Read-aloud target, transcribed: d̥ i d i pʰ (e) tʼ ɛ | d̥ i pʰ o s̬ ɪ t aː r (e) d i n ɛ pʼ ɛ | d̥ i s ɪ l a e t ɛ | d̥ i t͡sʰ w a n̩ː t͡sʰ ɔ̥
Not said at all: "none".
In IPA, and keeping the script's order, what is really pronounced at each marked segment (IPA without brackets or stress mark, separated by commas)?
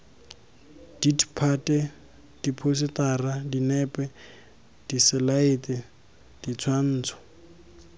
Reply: a, a